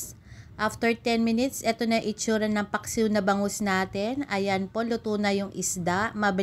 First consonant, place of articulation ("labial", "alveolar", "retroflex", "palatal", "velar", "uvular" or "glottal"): glottal